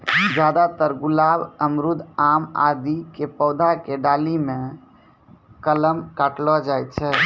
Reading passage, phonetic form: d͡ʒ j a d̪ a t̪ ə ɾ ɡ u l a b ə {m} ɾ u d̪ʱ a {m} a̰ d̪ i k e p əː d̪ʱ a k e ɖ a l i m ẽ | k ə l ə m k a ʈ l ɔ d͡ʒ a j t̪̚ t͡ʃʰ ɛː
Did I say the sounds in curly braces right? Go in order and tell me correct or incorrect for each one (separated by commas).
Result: correct, correct